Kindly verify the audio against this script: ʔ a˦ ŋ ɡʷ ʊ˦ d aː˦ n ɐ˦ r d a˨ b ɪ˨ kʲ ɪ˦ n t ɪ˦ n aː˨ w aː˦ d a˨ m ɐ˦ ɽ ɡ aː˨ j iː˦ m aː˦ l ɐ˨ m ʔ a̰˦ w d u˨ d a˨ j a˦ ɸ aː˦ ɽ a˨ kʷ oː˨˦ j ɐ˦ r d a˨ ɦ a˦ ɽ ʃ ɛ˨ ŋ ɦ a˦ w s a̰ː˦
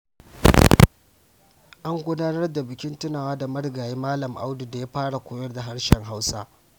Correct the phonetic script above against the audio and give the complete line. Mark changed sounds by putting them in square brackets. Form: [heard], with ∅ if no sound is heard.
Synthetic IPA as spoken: ʔ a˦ ŋ ɡʷ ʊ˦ d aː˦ n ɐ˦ r d a˨ b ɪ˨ kʲ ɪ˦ n t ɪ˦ n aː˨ w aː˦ d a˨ m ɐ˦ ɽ ɡ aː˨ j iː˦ m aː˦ l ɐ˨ m ʔ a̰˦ w d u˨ d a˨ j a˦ ɸ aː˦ ɽ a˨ kʷ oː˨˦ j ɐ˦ r d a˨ ɦ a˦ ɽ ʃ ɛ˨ ŋ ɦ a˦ w s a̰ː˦